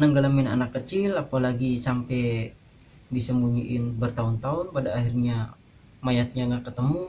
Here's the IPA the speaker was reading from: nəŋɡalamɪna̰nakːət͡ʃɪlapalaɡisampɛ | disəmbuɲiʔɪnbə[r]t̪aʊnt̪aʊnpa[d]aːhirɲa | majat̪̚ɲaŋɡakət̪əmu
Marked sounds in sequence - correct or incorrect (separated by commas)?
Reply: correct, correct